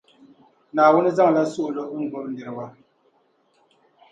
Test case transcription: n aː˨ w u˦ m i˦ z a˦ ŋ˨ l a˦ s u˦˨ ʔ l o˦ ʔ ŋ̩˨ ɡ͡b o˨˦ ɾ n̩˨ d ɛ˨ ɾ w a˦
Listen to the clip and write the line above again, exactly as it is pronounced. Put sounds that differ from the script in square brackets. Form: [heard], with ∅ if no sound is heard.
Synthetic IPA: n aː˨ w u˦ [n] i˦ z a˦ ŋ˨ l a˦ s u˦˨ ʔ l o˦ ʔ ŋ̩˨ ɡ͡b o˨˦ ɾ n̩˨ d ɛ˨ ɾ w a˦